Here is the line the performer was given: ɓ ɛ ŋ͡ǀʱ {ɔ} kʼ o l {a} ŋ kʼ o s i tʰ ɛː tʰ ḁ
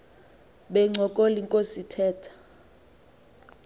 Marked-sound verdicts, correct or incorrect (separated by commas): correct, incorrect